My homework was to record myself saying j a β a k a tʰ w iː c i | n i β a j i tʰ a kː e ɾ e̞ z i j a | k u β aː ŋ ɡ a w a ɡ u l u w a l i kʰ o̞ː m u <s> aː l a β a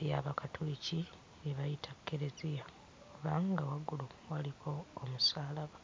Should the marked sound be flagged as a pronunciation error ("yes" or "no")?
no